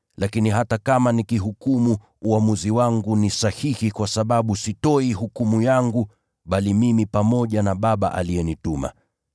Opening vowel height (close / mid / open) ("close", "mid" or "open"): open